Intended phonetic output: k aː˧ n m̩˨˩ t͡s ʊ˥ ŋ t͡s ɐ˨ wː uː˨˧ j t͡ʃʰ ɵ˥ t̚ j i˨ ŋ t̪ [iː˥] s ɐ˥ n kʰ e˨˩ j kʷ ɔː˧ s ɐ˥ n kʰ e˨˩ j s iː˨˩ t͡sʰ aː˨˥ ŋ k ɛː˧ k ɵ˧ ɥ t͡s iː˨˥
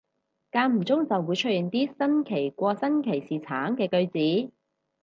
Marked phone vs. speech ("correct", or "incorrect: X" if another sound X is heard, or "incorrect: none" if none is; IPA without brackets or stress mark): correct